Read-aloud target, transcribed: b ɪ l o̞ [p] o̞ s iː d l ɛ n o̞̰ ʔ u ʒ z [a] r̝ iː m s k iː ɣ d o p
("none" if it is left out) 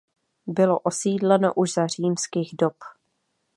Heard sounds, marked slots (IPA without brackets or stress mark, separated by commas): ʔ, a